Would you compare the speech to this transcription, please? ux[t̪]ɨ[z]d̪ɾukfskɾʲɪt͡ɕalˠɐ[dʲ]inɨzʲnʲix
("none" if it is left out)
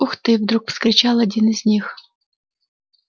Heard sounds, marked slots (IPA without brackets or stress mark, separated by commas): t̪, v, dʲ